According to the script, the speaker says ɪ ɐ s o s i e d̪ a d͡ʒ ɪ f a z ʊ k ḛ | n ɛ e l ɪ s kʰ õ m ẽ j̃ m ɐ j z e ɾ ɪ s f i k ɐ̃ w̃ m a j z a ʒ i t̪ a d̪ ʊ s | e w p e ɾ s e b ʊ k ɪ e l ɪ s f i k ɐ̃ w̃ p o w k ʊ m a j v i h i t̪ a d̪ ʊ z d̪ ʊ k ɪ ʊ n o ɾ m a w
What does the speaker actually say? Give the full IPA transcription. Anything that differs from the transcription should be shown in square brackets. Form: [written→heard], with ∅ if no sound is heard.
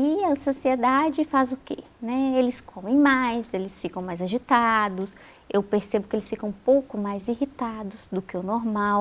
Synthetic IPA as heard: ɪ ɐ s o s i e d̪ a d͡ʒ ɪ f a z ʊ k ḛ | n ɛ e l ɪ s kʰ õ m ẽ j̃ m [ɐ→a] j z e [ɾ→l] ɪ s f i k ɐ̃ w̃ m a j z a ʒ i t̪ a d̪ ʊ s | e w p e ɾ s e b ʊ k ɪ e l ɪ s f i k ɐ̃ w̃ p o w k ʊ m a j [v→z] i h i t̪ a d̪ ʊ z d̪ ʊ k ɪ ʊ n o ɾ m a w

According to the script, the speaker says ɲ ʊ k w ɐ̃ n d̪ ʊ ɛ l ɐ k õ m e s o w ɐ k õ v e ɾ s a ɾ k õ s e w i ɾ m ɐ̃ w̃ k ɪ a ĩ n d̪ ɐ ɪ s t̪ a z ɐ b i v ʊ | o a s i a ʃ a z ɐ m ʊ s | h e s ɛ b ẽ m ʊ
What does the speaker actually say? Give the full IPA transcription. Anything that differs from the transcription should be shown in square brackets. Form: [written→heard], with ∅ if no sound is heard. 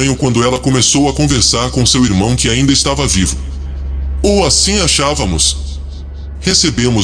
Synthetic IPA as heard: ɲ ʊ k w ɐ̃ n d̪ ʊ ɛ l ɐ k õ m e s o w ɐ k õ v e ɾ s a ɾ k õ s e w i ɾ m ɐ̃ w̃ k ɪ a ĩ n d̪ ɐ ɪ s t̪ a [z→v] ɐ [b→v] i v ʊ | o a s [i→ĩ] a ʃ a [z→v] ɐ m ʊ s | h e s [ɛ→e] b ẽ m ʊ

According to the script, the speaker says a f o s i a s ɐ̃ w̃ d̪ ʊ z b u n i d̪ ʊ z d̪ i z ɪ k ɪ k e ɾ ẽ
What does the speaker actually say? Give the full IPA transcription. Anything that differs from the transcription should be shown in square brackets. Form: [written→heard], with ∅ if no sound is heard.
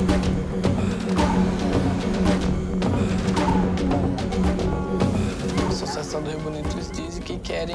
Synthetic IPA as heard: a [f→s] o s i a s ɐ̃ w̃ d̪ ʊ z b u n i [d̪→t̪] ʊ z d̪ i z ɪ k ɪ k [e→ɛ] ɾ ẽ

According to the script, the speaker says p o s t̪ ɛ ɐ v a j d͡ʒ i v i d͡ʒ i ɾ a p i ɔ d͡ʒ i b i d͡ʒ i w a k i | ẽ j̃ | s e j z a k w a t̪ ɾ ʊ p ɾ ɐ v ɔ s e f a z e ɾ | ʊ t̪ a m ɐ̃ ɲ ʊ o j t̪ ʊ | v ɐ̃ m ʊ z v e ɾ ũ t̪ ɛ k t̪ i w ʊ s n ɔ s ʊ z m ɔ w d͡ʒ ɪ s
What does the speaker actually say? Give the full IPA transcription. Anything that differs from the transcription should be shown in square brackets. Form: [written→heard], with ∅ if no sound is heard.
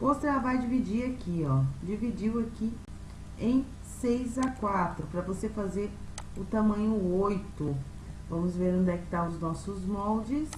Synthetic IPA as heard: p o s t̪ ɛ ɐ v a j d͡ʒ i v i d͡ʒ i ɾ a [p→k] i ɔ d͡ʒ i [b→v] i d͡ʒ i w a k i | ẽ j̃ | s e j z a k w a t̪ ɾ ʊ p ɾ ɐ v [ɔ→o] s e f a z e ɾ | ʊ t̪ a m ɐ̃ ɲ ʊ o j t̪ ʊ | v ɐ̃ m ʊ z v e ɾ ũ [t̪→d̪] ɛ k t̪ [i→a] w ʊ [s→z] n ɔ s ʊ z m ɔ w d͡ʒ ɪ s

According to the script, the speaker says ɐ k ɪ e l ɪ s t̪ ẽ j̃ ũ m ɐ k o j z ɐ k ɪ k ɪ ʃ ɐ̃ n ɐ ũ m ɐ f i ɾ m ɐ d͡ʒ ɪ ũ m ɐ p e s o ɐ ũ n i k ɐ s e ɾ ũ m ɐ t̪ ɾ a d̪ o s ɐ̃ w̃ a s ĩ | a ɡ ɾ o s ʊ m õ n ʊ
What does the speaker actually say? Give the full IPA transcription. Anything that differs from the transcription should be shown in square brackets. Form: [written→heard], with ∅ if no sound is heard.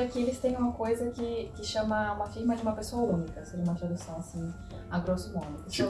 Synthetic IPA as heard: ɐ k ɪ e l ɪ s t̪ ẽ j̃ ũ m ɐ k o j z ɐ k ɪ k ɪ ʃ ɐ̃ [n→m] ɐ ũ m ɐ f i ɾ m ɐ d͡ʒ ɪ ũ m ɐ p e s o ɐ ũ n i k ɐ s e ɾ ũ m ɐ t̪ ɾ a d̪ [o→u] s ɐ̃ w̃ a s ĩ | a ɡ ɾ o s ʊ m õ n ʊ

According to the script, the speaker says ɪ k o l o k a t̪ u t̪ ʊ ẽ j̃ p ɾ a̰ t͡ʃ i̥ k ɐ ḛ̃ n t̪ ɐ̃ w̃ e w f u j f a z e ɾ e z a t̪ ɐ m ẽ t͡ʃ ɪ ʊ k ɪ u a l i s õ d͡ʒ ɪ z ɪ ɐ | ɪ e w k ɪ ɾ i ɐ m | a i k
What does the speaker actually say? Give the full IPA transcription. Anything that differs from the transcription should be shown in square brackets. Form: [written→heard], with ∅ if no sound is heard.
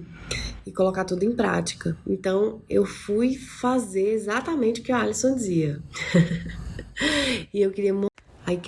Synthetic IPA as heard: ɪ k o l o k a t̪ u [t̪→d̪] ʊ ẽ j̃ p ɾ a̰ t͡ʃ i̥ k ɐ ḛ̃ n t̪ ɐ̃ w̃ e w f u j f a z e ɾ e z a t̪ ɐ m ẽ t͡ʃ ɪ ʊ k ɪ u a l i s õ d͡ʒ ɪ z [ɪ→i] ɐ | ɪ e w k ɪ ɾ i ɐ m | a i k

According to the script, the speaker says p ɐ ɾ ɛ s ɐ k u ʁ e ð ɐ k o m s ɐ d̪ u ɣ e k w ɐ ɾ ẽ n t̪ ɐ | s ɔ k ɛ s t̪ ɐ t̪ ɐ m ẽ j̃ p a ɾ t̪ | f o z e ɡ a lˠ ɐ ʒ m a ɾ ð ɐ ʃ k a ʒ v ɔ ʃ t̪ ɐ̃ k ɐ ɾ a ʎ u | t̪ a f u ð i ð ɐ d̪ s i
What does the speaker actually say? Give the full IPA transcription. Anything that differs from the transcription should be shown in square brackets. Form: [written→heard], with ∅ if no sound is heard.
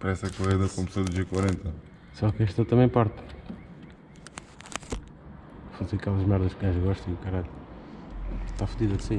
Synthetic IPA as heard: p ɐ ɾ ɛ s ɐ k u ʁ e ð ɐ k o m s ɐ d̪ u [ɣ→ʒ] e k w ɐ ɾ ẽ n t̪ ɐ | s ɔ k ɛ [s→ʃ] t̪ ɐ t̪ ɐ m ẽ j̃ p a ɾ t̪ | f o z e [ɡ→k] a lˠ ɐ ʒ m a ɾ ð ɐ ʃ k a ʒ [v→ɣ] ɔ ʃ t̪ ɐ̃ k ɐ ɾ a ʎ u | t̪ a f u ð i ð ɐ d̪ s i

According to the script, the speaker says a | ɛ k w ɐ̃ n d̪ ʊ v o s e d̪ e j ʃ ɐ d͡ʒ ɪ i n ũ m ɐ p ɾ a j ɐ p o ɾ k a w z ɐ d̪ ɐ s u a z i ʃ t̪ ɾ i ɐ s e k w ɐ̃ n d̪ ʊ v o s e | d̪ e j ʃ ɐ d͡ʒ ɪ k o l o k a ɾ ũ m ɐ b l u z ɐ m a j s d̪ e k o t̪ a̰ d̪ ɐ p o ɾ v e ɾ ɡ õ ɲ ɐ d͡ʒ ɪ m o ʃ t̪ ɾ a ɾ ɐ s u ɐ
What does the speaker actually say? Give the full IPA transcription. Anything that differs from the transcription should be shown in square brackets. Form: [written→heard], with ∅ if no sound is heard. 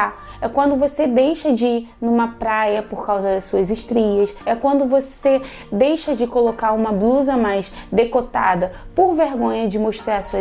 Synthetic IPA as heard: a | ɛ k w ɐ̃ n d̪ ʊ v o s e d̪ e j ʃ ɐ d͡ʒ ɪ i n ũ m ɐ p ɾ a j ɐ p o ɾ k a w z ɐ d̪ ɐ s u [a→ɐ] z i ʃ t̪ ɾ i ɐ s [e→ɛ] k w ɐ̃ n d̪ ʊ v o s e | d̪ e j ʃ ɐ d͡ʒ ɪ k o l o k a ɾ ũ m ɐ b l u z ɐ m a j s d̪ e k o t̪ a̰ d̪ ɐ p o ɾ v e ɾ ɡ õ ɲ ɐ d͡ʒ ɪ m o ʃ t̪ ɾ a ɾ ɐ s u ɐ

